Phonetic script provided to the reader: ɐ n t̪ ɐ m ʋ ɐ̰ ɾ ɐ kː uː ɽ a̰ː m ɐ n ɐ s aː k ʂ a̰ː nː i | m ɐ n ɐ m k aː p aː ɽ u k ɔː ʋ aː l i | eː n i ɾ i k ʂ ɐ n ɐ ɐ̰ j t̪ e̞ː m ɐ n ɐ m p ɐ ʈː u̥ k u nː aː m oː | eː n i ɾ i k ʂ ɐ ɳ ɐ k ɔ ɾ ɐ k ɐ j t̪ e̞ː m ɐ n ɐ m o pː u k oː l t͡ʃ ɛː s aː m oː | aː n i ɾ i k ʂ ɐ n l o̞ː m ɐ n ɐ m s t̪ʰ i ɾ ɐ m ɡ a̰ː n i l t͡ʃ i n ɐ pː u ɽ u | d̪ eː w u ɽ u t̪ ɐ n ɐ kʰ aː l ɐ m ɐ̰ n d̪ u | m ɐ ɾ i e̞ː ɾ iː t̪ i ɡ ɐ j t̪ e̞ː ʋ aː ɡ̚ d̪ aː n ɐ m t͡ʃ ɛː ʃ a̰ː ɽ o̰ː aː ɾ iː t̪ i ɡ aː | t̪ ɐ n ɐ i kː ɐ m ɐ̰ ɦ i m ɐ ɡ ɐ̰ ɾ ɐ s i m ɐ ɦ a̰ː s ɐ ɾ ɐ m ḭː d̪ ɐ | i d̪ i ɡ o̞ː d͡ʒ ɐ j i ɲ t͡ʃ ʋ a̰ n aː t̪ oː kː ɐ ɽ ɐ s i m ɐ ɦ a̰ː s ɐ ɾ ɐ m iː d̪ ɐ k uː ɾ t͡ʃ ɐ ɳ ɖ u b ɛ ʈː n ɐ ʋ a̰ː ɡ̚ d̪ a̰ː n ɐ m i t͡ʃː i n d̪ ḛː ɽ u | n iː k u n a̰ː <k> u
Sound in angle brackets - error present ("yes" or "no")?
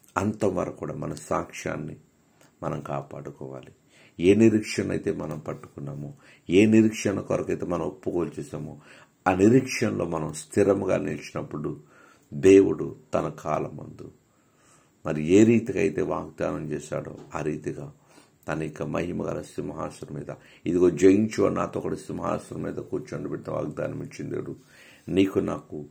no